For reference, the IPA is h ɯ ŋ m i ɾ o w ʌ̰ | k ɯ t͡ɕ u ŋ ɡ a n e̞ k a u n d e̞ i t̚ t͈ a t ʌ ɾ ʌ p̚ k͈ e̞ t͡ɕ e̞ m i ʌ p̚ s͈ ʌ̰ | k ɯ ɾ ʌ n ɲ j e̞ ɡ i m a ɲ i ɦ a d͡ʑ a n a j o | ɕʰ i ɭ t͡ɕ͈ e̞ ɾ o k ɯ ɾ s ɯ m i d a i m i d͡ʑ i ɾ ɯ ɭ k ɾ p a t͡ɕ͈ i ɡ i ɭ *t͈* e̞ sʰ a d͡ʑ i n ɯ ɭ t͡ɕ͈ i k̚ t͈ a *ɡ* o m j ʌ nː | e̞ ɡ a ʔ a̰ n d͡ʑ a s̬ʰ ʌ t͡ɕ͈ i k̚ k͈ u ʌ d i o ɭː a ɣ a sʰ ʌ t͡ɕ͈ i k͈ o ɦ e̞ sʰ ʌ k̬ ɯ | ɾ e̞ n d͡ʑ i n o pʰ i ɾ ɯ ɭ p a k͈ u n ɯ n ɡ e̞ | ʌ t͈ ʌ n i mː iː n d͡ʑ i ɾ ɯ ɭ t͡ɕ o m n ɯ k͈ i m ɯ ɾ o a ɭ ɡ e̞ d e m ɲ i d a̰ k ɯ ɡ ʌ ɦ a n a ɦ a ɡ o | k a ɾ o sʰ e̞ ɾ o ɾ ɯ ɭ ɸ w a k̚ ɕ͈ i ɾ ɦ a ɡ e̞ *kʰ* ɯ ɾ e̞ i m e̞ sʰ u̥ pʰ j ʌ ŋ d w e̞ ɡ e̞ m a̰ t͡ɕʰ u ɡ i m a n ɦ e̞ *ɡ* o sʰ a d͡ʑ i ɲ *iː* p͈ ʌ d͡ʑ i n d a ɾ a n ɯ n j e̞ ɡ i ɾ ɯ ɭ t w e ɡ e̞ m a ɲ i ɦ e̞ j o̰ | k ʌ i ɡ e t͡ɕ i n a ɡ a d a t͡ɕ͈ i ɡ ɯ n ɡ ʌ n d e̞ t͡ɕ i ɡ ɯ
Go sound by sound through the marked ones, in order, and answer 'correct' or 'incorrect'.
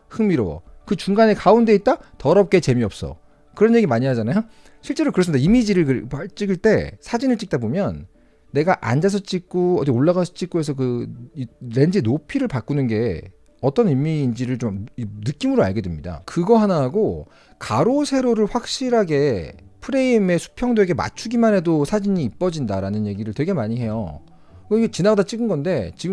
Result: correct, incorrect, incorrect, incorrect, correct

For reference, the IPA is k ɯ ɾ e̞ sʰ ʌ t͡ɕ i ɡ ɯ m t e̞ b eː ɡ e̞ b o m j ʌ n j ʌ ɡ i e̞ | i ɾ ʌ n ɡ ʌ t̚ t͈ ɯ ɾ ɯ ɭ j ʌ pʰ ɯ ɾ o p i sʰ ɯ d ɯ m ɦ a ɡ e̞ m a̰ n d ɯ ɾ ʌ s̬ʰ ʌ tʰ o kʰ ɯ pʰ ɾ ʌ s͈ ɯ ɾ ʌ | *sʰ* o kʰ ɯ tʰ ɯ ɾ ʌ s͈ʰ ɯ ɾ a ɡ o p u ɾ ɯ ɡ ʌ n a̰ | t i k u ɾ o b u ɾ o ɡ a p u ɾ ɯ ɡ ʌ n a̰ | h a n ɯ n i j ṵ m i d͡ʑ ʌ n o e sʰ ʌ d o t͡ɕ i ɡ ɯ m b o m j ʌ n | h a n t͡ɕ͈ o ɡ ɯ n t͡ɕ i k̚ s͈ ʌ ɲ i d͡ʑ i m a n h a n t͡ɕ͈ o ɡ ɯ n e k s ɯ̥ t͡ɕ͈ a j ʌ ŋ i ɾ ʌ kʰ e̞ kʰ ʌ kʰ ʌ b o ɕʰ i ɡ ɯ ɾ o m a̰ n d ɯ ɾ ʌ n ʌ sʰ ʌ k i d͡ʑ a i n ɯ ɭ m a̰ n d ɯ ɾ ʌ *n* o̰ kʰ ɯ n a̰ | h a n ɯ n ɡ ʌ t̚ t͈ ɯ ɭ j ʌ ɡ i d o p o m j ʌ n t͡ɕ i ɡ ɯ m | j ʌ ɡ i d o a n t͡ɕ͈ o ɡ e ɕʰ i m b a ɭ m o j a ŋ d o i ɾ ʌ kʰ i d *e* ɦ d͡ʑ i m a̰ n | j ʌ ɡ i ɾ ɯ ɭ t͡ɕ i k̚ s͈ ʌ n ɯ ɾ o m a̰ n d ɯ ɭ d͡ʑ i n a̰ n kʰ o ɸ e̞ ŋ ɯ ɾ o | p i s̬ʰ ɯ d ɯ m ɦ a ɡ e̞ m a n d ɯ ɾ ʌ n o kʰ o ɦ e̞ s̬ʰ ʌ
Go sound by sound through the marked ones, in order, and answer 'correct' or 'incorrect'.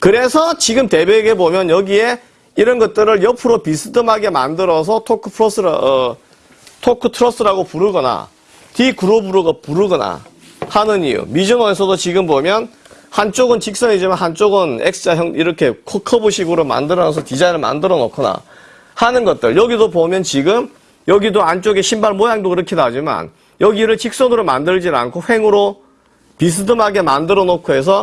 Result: incorrect, correct, incorrect

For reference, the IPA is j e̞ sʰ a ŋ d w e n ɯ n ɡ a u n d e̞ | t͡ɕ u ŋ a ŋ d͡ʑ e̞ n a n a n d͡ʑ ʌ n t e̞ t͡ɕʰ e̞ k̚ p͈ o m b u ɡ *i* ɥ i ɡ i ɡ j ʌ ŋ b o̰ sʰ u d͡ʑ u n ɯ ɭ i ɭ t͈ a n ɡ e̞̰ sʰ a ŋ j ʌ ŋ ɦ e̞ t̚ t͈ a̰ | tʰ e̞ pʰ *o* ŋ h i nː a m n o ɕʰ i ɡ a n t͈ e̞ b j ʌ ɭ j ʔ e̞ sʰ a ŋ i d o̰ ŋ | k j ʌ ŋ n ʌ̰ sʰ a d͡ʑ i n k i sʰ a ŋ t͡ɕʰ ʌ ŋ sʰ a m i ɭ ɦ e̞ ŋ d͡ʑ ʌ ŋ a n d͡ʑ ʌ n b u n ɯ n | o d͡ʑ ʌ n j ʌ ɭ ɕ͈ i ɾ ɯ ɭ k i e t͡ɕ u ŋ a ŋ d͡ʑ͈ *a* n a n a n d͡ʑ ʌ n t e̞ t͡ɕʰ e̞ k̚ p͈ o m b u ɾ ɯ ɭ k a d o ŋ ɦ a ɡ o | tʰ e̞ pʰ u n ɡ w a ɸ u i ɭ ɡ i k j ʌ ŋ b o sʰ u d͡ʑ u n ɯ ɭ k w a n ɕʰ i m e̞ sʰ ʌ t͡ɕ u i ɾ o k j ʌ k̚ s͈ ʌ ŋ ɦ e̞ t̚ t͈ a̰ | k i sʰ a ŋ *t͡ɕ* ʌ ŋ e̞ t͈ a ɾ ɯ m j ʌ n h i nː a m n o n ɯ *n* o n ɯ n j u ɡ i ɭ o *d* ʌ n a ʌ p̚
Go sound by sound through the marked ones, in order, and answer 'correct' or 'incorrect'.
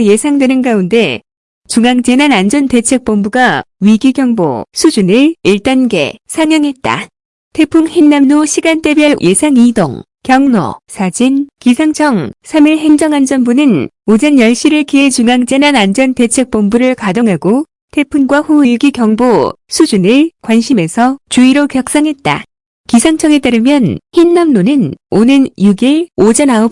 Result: incorrect, incorrect, incorrect, incorrect, correct, incorrect

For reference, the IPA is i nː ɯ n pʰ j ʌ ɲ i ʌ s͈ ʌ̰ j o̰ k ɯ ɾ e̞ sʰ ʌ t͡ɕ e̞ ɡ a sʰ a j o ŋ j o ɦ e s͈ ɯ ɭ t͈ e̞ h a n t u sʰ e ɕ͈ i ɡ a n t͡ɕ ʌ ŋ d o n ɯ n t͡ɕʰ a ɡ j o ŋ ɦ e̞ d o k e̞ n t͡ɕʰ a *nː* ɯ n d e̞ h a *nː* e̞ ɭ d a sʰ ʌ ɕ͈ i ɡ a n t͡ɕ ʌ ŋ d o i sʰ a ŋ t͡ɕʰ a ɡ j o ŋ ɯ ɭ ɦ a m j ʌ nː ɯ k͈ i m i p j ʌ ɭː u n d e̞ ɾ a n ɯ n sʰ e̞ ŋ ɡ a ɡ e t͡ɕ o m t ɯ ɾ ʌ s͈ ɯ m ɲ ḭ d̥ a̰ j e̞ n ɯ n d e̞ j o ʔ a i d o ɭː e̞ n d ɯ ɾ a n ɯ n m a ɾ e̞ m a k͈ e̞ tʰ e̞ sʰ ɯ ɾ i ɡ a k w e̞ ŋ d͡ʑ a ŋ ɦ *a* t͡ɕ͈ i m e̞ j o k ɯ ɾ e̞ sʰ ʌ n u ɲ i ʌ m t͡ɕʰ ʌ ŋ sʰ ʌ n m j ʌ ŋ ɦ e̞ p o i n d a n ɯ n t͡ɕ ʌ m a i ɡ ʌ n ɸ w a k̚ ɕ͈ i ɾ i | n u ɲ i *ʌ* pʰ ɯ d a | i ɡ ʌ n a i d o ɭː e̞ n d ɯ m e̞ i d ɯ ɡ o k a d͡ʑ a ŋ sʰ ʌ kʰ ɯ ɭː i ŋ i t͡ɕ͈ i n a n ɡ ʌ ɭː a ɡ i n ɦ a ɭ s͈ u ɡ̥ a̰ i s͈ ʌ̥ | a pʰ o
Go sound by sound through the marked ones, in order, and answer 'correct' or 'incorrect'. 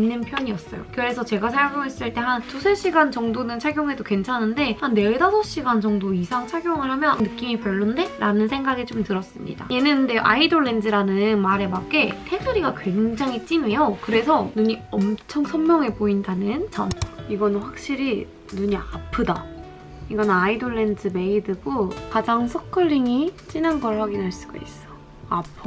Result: incorrect, correct, incorrect, incorrect

